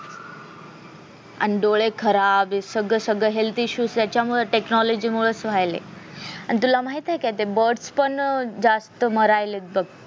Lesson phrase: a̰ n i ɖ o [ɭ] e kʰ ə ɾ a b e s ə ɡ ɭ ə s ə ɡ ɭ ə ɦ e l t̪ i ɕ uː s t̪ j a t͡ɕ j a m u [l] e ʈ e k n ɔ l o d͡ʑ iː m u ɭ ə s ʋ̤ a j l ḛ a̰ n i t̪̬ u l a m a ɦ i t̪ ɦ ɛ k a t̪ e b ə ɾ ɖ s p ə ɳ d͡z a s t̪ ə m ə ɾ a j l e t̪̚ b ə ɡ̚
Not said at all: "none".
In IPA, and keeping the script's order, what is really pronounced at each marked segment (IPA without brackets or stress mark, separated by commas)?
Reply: ɭ, ɭ